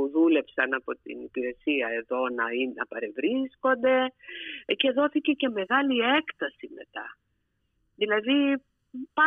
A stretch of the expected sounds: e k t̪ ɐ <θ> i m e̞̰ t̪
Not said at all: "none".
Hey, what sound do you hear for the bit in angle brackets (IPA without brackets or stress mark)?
s